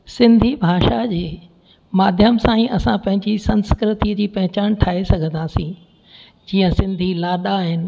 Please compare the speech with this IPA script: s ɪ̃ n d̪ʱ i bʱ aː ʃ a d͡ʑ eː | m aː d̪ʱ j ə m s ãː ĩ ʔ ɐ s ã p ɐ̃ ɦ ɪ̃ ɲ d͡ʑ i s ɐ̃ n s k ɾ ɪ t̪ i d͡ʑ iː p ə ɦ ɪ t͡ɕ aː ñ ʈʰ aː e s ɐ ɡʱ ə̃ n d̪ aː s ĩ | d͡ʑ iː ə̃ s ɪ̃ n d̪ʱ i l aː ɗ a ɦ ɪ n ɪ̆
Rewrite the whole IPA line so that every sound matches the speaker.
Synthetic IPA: s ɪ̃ n d̪ʱ i bʱ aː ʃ a d͡ʑ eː | m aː d̪ʱ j ə m s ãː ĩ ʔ ɐ s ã p ɐ̃ ɦ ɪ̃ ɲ d͡ʑ i s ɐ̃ n s k ɾ ɪ t̪ i d͡ʑ iː p ɐ ɦ ɪ t͡ɕ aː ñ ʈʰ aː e s ɐ ɡʱ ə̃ n d̪ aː s ĩ | d͡ʑ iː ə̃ s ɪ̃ n d̪ʱ i l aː ɗ a ɦ ɪ n ɪ̆